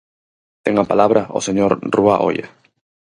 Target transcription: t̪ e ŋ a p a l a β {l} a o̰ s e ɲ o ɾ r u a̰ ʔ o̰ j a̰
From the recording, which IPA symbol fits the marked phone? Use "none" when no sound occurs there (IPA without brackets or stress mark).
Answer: ɾ